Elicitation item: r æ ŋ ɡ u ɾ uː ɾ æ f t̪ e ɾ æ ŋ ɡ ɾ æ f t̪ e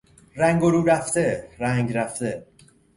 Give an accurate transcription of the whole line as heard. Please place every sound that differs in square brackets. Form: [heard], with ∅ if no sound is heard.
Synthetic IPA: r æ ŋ ɡ [o] ɾ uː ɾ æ f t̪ e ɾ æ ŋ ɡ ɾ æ f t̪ e